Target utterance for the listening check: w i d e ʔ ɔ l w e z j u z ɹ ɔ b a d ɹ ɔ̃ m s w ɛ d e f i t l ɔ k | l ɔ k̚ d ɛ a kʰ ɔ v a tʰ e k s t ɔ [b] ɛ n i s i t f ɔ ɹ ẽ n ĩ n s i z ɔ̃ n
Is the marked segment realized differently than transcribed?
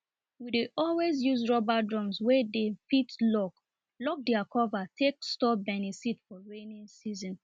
no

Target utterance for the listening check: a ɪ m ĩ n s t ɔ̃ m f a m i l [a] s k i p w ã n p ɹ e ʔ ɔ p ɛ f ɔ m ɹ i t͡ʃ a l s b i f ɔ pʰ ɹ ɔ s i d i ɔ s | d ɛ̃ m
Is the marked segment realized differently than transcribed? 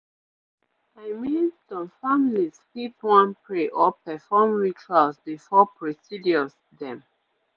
yes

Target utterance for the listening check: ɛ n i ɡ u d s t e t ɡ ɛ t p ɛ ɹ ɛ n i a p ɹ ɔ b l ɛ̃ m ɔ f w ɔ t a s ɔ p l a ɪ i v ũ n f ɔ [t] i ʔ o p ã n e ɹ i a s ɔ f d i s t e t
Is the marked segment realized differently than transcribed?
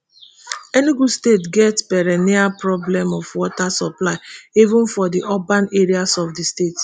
yes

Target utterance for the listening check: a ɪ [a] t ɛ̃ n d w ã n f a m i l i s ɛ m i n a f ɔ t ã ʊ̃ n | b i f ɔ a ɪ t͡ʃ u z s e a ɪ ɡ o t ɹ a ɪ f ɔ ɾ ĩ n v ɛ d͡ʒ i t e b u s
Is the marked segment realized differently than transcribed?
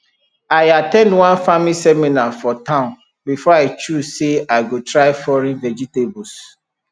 no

